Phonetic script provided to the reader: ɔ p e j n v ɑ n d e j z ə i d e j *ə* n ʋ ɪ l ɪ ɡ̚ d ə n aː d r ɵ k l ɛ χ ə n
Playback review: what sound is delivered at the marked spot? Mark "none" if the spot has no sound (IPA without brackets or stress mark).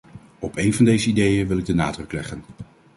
ə